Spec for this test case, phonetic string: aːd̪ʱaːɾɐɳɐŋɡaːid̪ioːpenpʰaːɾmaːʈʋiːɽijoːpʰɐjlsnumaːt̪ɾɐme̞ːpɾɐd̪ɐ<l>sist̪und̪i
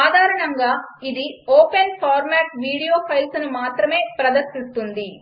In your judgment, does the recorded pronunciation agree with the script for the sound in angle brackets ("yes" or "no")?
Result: no